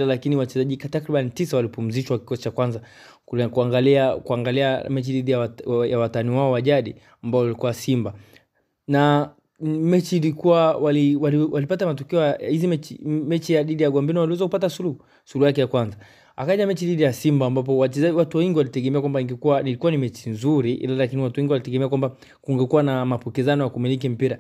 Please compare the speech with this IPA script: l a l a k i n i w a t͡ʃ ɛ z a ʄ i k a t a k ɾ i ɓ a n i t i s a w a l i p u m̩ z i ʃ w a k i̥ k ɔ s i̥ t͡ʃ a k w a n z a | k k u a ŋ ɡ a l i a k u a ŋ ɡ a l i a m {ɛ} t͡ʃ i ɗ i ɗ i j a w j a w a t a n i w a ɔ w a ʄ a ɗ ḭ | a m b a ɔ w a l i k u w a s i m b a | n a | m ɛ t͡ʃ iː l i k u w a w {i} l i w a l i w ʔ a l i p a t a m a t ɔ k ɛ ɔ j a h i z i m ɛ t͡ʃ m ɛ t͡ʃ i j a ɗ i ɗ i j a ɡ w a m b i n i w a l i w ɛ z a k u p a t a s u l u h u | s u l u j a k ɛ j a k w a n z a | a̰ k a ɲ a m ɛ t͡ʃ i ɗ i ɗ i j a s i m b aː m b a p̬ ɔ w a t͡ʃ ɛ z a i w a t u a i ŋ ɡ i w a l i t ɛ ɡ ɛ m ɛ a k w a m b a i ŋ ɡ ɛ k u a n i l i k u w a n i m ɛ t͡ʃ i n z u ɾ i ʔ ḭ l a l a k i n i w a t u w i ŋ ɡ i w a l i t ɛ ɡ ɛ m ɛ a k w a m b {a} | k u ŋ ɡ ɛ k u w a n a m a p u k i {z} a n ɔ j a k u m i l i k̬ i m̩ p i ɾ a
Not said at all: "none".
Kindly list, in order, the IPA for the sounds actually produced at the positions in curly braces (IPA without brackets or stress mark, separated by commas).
ɛ, a, a, z